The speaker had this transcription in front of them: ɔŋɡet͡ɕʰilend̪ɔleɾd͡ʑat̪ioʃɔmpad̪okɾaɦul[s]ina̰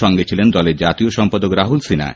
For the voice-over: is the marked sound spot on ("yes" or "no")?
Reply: yes